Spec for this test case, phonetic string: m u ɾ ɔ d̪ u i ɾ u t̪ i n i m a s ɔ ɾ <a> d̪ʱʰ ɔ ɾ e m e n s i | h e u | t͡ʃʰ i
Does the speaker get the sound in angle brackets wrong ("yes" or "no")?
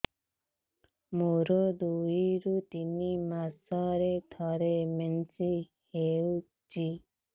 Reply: yes